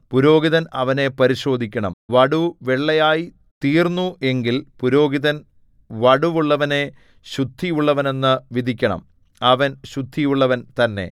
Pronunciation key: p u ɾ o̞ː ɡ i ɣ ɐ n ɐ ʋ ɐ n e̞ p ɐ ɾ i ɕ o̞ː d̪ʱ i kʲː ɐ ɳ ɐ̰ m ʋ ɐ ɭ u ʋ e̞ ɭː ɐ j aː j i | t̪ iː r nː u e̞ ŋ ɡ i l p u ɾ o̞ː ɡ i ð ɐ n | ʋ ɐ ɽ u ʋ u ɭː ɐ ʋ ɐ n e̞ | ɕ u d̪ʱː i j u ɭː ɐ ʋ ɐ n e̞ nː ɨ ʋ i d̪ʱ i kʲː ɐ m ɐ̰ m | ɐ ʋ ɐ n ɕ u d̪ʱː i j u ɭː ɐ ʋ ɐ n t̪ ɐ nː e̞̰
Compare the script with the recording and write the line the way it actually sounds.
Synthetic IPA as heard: p u ɾ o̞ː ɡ i ð ɐ n ɐ ʋ ɐ n e̞ p ɐ ɾ i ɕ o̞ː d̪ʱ i kʲː ɐ ɳ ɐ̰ m ʋ ɐ ɽ u ʋ e̞ ɭː ɐ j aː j i | t̪ iː r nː u e̞ ŋ ɡ i l p u ɾ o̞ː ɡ i ð ɐ n | ʋ ɐ ɽ u ʋ u ɭː ɐ ʋ ɐ n e̞ | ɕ u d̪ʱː i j u ɭː ɐ ʋ ɐ n e̞ nː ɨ ʋ i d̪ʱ i kʲː ɐ ɳ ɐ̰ m | ɐ ʋ ɐ n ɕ u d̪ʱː i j u ɭː ɐ ʋ ɐ n t̪ ɐ nː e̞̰